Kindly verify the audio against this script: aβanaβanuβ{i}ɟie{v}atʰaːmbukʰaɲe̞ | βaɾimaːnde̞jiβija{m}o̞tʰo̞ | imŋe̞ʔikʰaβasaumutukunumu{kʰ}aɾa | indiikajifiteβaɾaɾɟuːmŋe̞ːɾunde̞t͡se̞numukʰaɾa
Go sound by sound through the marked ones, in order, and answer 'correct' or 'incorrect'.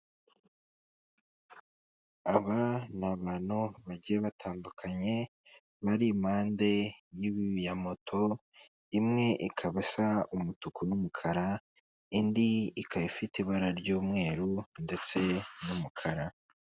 incorrect: a, incorrect: β, correct, correct

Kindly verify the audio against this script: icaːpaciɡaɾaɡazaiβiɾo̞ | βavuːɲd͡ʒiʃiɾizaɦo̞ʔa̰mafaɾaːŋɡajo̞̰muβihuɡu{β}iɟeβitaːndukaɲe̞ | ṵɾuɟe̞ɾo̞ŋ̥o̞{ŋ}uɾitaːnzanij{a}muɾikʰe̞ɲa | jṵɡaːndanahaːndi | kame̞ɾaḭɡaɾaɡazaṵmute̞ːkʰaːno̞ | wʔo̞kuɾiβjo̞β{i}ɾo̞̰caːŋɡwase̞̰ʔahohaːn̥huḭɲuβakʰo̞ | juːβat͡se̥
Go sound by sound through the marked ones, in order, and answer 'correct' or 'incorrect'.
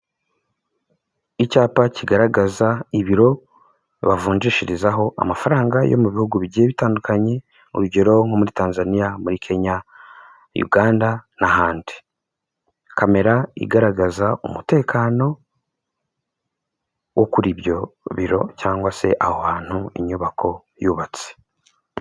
correct, incorrect: m, correct, correct

